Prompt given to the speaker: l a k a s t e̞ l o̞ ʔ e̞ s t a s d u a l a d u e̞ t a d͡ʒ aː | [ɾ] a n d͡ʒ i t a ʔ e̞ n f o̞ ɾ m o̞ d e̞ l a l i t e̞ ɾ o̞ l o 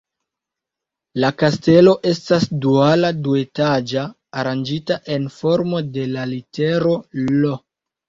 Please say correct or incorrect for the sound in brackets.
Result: correct